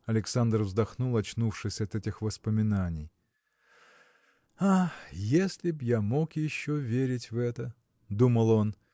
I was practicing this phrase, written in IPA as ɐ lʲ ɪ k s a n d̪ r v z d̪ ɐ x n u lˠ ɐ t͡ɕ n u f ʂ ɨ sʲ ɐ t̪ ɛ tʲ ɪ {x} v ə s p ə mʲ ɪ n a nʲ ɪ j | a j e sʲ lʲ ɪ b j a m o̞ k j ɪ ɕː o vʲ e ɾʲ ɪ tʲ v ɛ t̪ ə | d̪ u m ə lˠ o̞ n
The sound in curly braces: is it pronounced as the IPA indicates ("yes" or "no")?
yes